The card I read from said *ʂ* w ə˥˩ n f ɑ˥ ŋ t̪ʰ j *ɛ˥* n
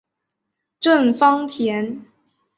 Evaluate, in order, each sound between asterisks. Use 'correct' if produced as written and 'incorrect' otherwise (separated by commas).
incorrect, incorrect